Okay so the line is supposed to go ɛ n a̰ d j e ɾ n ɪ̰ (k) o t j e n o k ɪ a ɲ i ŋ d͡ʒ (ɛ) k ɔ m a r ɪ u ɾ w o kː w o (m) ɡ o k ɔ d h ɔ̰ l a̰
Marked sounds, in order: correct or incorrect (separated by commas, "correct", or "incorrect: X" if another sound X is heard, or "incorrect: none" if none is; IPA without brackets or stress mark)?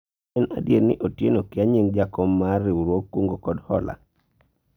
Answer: incorrect: ʔ, incorrect: a, incorrect: ŋ